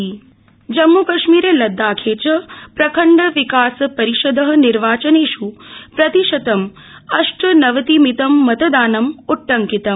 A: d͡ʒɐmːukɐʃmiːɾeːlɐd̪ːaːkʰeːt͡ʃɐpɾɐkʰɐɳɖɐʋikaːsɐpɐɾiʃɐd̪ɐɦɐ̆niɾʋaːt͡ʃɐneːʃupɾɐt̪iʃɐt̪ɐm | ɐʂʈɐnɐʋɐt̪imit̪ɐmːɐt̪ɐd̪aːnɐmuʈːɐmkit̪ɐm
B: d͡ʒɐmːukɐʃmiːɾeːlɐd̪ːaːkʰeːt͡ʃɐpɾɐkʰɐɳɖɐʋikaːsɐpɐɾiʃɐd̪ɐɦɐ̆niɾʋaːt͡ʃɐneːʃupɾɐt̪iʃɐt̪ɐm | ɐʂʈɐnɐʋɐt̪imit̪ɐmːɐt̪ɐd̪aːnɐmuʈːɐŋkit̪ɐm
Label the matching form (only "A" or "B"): B